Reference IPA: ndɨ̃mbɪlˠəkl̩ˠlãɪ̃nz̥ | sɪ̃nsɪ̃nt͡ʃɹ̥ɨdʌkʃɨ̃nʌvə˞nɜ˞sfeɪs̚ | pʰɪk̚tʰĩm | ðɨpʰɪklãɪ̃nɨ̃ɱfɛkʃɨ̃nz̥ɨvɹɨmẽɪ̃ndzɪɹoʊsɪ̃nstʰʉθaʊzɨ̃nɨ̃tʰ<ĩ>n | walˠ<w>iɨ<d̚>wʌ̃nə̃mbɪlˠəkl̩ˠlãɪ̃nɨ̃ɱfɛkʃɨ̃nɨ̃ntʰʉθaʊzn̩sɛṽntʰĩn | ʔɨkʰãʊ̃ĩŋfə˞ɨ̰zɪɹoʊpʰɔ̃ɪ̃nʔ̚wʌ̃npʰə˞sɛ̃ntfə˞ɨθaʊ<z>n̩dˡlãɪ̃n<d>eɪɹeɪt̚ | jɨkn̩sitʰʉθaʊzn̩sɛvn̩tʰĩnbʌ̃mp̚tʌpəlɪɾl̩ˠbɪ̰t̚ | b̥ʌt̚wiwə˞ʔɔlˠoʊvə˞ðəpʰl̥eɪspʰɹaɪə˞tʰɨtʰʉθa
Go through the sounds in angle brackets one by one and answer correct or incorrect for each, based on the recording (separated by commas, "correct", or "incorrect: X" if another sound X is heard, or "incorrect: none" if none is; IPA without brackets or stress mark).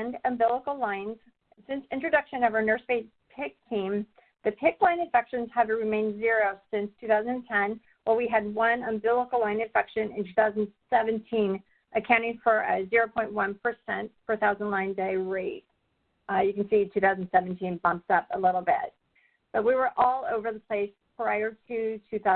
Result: incorrect: ɛ̃, correct, correct, correct, correct